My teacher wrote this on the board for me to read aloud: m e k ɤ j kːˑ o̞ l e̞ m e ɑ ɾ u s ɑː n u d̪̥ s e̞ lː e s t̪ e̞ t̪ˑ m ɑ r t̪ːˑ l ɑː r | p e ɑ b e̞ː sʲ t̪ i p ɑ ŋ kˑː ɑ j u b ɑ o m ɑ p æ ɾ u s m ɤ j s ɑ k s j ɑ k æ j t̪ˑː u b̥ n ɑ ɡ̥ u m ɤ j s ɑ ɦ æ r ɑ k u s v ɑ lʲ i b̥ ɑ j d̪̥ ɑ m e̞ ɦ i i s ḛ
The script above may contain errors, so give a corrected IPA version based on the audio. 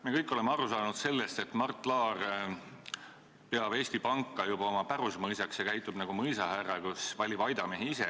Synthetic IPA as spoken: m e k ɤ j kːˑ o̞ l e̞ m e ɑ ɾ u s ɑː n u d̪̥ s e̞ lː e s t̪ e̞ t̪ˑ m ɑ r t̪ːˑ l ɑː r | p e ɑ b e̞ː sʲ t̪ i p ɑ ŋ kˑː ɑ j u b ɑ o m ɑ p æ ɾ u s m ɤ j s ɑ k s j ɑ k æ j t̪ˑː u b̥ n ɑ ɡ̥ u m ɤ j s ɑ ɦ æ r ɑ k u s v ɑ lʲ i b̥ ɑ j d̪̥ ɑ m e̞ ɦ i i s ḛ